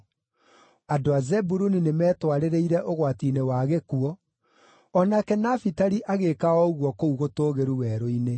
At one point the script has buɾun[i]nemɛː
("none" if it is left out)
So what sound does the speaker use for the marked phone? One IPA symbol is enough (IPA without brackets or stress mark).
i